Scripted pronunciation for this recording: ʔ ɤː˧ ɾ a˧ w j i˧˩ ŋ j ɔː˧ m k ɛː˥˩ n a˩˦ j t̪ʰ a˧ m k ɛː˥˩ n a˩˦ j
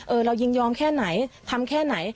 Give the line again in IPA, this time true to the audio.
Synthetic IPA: ʔ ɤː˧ ɾ a˧ w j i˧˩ ŋ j ɔː˧ m kʰ ɛː˥˩ n a˩˦ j t̪ʰ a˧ m kʰ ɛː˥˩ n a˩˦ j

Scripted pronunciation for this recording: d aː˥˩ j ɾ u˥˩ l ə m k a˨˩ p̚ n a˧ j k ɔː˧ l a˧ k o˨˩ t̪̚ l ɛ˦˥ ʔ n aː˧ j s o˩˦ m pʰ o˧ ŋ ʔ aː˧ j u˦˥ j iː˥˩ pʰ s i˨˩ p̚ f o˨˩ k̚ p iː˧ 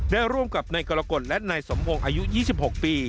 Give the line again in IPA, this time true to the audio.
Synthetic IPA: d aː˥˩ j ɾ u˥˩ ə m k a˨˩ p̚ n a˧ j k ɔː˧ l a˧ k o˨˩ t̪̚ l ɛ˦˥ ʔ n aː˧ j s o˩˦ m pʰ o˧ ŋ ʔ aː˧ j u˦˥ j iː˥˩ s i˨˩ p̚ h o˨˩ k̚ p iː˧

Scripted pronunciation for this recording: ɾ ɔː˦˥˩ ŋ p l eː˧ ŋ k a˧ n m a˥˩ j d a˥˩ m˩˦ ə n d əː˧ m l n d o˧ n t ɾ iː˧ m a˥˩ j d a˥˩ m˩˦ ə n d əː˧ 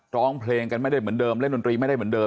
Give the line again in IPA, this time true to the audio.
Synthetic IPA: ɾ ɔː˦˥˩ ŋ pʰ l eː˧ ŋ k a˧ n m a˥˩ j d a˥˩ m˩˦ ə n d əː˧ m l n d o˧ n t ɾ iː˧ m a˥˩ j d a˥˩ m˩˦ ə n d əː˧

